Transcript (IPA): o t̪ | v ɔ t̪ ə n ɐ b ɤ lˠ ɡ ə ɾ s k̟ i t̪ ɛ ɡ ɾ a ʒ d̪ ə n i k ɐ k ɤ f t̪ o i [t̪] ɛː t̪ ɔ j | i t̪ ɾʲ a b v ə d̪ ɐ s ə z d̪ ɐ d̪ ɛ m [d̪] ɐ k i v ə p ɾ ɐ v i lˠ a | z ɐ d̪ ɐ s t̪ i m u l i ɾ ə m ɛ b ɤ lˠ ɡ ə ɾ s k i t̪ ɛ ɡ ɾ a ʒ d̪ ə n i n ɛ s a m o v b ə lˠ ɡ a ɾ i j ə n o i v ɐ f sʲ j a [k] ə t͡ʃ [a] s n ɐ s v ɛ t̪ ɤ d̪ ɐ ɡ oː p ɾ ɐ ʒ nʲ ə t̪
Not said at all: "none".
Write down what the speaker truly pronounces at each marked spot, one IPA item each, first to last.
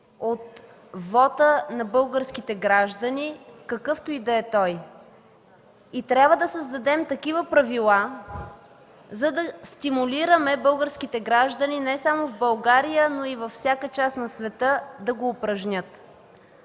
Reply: d̪, t̪, k, a

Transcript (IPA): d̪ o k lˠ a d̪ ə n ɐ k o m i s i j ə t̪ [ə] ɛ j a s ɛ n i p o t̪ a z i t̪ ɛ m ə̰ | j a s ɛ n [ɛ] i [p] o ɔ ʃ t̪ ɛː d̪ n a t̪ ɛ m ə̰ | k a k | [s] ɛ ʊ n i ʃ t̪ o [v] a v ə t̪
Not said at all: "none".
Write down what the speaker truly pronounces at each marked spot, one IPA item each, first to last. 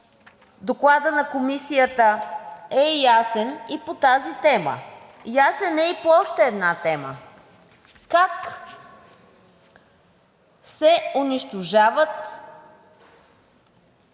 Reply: ə, ɛ, p, s, ʒ

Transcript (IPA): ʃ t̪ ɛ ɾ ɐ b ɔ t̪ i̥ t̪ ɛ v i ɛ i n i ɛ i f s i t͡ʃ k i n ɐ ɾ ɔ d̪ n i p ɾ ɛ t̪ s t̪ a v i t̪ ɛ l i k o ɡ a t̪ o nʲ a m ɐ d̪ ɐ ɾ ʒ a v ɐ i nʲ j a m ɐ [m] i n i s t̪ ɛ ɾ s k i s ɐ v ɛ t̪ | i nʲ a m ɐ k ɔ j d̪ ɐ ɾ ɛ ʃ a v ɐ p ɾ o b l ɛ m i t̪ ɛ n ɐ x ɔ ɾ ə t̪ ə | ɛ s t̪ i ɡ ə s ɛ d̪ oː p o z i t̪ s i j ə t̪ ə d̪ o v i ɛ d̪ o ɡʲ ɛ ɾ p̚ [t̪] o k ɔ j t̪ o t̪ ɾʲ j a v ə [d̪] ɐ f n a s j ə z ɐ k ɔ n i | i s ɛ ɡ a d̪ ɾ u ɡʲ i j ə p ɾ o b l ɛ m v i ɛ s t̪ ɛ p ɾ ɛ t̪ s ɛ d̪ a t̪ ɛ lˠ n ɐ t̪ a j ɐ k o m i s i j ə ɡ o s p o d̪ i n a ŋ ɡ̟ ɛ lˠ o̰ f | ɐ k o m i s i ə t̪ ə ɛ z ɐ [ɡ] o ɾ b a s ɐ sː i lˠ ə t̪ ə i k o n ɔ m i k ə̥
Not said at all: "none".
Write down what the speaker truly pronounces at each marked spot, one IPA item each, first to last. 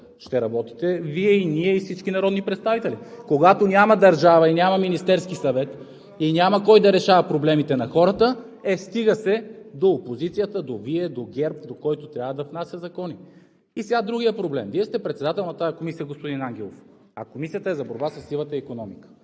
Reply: m, d̪, d̪, b

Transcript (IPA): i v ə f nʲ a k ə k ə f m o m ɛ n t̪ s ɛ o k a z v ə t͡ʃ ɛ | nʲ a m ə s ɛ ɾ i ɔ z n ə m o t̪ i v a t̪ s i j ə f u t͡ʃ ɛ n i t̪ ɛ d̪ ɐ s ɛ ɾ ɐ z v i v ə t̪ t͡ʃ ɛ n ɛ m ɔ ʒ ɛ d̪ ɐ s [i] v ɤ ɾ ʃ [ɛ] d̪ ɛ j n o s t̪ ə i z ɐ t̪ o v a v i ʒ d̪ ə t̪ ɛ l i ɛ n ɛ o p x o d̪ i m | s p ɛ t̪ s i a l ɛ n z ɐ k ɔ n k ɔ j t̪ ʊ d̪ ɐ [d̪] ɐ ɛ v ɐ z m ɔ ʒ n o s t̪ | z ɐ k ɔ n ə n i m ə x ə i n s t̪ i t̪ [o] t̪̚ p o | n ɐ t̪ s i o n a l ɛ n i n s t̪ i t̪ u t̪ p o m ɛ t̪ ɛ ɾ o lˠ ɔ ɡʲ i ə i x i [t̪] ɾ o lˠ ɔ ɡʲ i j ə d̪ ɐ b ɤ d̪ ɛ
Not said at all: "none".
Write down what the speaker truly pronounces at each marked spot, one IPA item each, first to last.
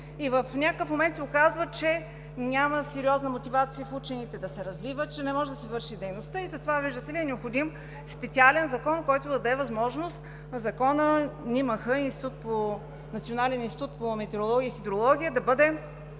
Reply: ɛ, i, d̪, u, d̪

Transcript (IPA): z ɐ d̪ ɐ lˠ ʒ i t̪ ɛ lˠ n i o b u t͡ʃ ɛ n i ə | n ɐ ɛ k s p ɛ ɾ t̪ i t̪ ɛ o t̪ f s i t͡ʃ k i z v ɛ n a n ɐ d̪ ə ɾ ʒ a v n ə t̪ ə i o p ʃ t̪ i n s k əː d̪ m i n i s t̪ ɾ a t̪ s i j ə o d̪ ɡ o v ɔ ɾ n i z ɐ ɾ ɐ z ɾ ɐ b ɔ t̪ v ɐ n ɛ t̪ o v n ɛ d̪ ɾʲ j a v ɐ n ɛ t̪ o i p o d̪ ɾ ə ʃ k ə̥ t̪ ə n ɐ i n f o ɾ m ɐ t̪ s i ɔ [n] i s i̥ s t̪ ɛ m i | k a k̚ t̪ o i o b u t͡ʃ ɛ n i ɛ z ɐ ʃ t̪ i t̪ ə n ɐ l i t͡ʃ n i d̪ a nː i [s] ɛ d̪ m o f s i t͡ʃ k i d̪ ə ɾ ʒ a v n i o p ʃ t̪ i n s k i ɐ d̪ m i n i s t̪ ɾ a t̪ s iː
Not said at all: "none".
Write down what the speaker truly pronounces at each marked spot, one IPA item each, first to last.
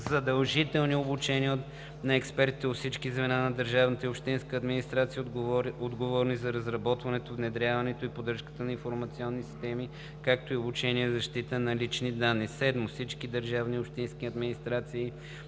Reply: nː, s

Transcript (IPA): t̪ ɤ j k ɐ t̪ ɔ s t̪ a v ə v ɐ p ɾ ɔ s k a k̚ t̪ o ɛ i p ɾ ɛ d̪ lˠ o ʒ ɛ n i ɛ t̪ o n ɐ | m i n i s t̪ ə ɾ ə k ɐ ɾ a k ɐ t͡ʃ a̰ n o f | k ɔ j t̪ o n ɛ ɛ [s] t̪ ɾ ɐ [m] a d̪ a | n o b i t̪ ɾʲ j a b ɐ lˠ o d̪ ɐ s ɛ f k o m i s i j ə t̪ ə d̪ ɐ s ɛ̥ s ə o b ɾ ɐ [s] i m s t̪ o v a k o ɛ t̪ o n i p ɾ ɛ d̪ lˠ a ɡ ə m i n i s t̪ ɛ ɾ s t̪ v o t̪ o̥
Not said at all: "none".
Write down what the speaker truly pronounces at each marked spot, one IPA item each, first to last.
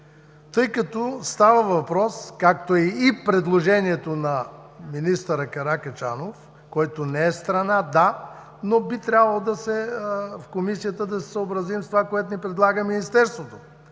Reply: s, n, z

